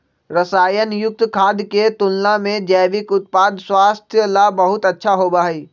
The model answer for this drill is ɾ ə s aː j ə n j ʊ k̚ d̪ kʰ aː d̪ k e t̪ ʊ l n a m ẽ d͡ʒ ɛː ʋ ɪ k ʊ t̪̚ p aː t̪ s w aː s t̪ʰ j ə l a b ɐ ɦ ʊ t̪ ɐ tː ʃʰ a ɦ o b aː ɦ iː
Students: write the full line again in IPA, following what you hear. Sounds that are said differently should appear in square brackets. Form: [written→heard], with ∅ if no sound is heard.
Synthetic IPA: ɾ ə s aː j ə n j ʊ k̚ [d̪→t̪] kʰ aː d̪ k e t̪ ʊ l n a m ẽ d͡ʒ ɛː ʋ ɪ k ʊ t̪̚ p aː [t̪→d̪] s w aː s t̪ʰ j ə l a b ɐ ɦ ʊ t̪ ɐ tː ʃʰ a ɦ o b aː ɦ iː